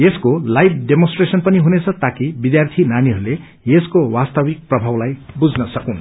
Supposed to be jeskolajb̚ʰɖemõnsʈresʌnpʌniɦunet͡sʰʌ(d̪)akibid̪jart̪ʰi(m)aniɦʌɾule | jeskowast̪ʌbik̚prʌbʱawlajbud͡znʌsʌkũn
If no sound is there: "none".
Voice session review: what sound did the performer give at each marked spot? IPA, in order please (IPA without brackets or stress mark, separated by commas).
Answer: t̪, n